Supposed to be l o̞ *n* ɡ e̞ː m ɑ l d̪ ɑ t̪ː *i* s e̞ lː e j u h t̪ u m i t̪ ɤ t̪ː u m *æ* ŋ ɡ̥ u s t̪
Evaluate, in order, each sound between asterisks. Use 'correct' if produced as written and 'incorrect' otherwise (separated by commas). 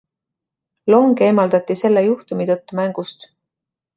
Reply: incorrect, correct, correct